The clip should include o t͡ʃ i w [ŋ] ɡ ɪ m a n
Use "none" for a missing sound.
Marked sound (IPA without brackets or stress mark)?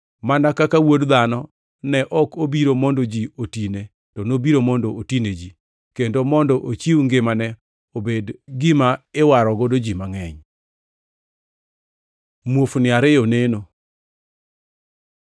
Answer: ŋ